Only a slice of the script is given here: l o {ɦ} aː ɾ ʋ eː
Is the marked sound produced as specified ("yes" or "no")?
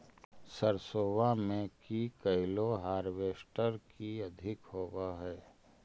yes